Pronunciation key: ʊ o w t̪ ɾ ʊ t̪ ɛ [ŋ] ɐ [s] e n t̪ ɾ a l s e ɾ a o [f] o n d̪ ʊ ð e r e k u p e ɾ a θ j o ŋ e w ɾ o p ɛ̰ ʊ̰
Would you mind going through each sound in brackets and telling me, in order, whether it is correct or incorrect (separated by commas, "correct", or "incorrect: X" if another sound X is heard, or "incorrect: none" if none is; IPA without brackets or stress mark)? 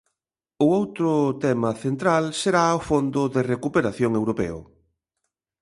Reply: incorrect: m, incorrect: θ, correct